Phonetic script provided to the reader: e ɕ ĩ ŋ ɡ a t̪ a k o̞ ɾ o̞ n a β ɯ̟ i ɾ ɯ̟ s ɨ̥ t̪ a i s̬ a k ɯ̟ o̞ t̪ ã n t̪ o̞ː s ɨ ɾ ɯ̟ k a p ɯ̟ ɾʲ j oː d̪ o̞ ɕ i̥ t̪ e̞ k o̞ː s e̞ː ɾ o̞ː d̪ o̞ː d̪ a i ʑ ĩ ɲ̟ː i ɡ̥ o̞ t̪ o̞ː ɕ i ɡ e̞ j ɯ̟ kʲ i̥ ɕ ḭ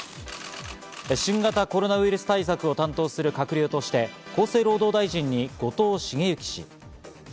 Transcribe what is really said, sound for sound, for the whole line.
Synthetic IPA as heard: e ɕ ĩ ŋ ɡ a t̪ a k o̞ ɾ o̞ n a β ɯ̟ i ɾ ɯ̟ s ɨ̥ t̪ a i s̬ a k ɯ̟ o̞ t̪ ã n t̪ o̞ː s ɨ ɾ ɯ̟ k a k ɯ̟ ɾʲ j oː t̪ o̞ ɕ i̥ t̪ e̞ k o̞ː s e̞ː ɾ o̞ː d̪ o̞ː d̪ a i ʑ ĩ ɲ̟ː i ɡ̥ o̞ t̪ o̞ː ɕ i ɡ e̞ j ɯ̟ kʲ i̥ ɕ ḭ